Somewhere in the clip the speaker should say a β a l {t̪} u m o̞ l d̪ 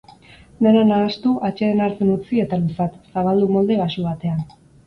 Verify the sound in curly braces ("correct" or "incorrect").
incorrect